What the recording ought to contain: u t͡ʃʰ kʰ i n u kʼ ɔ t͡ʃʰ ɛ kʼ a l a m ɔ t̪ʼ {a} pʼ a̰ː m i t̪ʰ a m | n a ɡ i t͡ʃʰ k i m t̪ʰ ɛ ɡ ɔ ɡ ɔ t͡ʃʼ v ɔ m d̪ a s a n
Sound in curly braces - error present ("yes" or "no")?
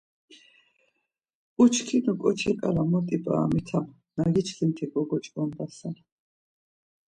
yes